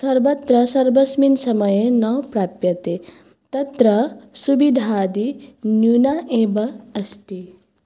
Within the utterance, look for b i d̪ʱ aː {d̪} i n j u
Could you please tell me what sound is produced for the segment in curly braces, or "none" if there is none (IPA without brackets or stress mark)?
d̪